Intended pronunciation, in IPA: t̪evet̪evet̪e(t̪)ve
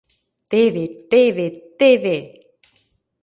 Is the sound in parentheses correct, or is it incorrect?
incorrect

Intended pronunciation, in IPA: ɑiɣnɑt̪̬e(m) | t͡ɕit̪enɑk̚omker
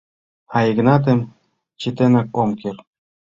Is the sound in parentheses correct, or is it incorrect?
correct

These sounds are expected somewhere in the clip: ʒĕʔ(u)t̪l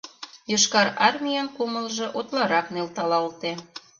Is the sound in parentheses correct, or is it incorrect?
incorrect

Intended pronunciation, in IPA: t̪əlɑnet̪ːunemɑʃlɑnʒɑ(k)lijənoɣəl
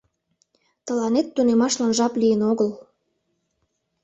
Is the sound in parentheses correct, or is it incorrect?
incorrect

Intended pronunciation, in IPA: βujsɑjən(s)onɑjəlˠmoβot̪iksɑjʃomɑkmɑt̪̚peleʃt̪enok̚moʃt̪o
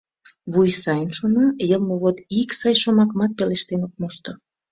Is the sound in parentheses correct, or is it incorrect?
incorrect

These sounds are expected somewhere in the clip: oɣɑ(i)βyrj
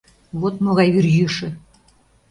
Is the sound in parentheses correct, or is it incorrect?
incorrect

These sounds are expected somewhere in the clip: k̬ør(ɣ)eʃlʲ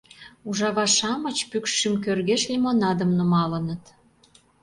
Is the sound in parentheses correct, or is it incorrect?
correct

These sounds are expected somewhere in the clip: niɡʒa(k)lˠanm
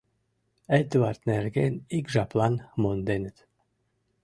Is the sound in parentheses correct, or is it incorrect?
incorrect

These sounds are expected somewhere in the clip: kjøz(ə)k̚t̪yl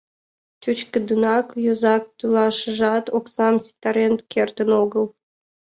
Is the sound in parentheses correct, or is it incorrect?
incorrect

